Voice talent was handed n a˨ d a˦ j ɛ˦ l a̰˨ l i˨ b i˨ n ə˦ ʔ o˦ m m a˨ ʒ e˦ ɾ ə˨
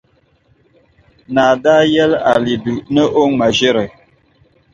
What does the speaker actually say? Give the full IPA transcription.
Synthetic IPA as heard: n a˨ d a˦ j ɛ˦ l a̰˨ l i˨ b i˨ n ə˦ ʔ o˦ ŋ m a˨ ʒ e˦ ɾ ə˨

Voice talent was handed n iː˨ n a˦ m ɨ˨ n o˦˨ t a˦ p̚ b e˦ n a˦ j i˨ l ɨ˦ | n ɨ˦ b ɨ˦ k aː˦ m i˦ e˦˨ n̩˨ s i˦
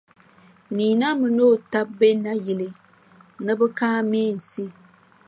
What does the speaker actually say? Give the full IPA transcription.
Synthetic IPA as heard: n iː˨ n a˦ m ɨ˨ n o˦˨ t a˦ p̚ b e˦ n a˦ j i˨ l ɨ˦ | n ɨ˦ b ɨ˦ k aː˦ m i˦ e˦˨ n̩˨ s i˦

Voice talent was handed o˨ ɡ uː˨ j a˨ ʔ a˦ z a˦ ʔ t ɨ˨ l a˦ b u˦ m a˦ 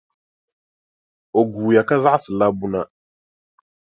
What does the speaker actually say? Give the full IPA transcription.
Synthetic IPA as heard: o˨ ɡ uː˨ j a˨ k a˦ z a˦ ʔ s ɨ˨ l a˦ b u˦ n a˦

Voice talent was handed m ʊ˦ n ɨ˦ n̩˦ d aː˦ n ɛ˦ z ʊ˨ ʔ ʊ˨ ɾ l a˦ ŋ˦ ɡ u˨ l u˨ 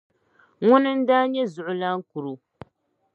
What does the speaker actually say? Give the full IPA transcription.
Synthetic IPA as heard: ŋ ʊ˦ n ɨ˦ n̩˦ d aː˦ ɲ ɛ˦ z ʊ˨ ʔ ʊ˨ l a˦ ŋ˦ k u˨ ɾ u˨

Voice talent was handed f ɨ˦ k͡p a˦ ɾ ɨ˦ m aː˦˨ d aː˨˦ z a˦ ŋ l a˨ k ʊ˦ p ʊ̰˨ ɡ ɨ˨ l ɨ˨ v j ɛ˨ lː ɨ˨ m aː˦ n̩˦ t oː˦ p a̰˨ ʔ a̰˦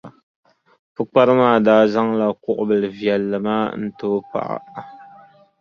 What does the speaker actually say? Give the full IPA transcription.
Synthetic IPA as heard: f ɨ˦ k͡p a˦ ɾ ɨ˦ m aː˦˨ d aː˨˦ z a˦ ŋ l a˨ k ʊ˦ ʔ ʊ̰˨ b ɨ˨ l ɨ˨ v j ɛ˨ lː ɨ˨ m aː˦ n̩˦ t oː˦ p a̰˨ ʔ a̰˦

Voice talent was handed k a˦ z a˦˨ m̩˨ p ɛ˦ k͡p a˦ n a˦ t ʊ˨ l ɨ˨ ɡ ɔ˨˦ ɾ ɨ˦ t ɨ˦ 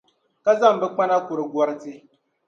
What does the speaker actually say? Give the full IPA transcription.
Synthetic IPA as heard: k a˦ z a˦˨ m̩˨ b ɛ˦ k͡p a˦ n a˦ k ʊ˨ ɾ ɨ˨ ɡ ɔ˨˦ ɾ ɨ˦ t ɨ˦

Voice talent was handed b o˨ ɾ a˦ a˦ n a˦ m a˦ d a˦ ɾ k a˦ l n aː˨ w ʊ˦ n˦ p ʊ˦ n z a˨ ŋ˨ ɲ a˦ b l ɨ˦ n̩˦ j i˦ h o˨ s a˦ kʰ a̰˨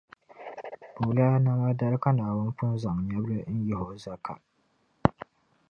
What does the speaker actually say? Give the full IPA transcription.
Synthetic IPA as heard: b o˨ l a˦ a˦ n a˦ m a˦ d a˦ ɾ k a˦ n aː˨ w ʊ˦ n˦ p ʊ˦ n z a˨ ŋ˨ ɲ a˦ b l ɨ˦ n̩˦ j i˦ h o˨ z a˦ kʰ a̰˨

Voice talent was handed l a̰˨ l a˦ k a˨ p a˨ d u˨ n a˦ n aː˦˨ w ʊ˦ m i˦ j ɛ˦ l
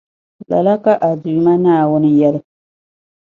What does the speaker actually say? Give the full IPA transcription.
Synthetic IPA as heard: l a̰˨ l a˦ k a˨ ʔ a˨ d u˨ m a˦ n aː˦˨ w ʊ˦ n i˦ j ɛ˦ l

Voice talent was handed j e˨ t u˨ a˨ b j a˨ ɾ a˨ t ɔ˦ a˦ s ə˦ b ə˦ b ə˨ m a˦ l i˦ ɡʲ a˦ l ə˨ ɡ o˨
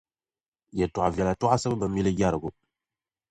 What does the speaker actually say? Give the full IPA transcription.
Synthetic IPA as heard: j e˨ t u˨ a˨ v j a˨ l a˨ t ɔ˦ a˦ s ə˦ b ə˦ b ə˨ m i˦ l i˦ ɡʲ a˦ ɾ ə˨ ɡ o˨

